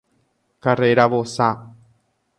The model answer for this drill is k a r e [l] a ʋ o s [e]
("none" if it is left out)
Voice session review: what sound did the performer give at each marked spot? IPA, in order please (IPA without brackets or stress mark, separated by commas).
ɾ, a